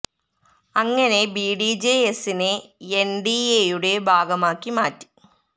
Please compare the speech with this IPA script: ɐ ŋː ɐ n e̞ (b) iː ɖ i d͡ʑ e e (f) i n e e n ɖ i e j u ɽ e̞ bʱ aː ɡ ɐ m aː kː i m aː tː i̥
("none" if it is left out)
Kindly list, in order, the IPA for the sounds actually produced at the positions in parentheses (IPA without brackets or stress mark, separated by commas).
b, s